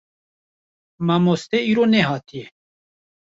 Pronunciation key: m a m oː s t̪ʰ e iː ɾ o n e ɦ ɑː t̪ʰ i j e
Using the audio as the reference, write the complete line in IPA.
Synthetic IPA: m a m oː s t̪ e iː ɾ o n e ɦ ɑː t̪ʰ i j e